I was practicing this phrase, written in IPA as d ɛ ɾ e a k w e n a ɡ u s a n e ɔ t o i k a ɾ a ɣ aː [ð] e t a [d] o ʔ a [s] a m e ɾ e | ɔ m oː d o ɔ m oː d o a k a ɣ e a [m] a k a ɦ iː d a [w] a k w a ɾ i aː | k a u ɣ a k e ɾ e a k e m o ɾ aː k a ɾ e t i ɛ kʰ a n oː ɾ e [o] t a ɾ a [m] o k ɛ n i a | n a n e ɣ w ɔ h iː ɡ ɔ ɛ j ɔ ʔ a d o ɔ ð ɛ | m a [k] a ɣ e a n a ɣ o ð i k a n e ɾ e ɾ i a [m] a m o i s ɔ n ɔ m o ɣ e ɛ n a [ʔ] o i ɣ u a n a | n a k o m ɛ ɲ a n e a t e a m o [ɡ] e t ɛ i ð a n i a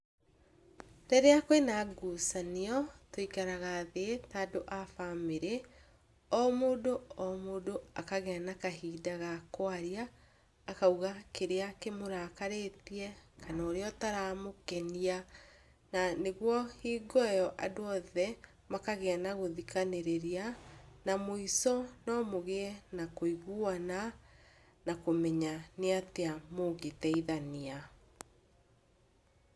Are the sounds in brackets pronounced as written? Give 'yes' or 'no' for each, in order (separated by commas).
yes, yes, no, no, no, no, yes, yes, no, no, yes